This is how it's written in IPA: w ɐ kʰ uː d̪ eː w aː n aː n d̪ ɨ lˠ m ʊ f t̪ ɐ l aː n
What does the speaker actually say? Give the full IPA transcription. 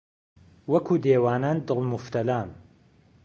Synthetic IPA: w ɐ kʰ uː d̪ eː w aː n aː n d̪ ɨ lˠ m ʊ f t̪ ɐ l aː n